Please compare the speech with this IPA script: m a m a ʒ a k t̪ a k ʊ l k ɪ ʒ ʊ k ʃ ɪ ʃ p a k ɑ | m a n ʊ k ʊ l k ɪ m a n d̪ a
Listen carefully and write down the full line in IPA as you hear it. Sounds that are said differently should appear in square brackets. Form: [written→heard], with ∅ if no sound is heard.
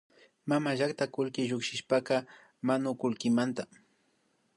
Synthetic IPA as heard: m a m a ʒ a k t̪ a k ʊ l k ɪ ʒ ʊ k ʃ ɪ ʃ p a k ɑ | m a n ʊ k ʊ l k ɪ m a n [d̪→t̪] a